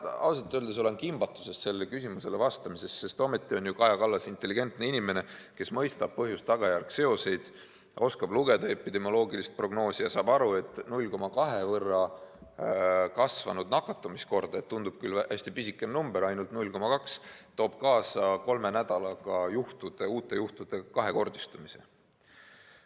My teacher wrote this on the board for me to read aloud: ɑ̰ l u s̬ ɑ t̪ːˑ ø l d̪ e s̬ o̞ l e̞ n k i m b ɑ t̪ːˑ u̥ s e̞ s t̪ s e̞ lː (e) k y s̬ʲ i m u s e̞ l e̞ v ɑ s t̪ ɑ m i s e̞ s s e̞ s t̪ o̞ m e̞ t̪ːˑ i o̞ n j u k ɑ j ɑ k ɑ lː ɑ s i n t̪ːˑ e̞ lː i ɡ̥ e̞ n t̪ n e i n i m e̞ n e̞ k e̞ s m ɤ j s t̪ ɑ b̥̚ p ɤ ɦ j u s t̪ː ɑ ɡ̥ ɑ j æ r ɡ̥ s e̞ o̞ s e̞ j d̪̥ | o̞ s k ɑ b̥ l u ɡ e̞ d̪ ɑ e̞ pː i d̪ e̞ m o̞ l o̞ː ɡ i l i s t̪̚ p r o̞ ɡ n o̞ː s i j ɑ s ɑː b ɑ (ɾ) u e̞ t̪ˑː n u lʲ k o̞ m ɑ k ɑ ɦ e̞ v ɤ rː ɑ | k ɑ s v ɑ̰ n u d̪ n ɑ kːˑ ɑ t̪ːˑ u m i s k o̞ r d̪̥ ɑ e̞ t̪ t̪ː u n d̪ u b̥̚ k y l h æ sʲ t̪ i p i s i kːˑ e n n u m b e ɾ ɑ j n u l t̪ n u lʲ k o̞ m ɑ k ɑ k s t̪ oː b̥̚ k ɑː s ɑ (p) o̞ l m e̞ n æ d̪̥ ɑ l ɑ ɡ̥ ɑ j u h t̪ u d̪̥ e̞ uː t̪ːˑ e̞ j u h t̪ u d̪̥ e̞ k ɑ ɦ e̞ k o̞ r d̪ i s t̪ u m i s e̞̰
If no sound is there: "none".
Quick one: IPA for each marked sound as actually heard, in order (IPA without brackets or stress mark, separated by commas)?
e, ɾ, k